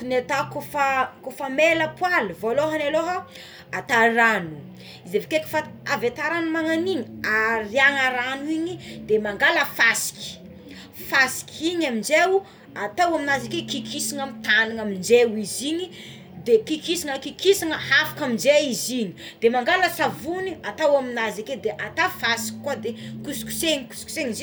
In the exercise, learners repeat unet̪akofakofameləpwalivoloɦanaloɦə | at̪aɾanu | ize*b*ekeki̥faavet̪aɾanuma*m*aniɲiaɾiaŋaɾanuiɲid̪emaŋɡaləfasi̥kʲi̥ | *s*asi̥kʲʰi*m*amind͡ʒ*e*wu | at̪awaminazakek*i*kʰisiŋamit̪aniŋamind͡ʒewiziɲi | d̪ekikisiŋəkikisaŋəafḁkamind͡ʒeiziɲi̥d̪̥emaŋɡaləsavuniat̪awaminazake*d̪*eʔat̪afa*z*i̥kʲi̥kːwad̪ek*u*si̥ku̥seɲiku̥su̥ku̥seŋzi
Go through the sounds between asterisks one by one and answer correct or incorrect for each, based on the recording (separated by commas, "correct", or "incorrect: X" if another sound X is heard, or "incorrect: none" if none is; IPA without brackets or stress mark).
incorrect: v, incorrect: ŋ, incorrect: f, incorrect: ɲ, correct, correct, correct, incorrect: s, correct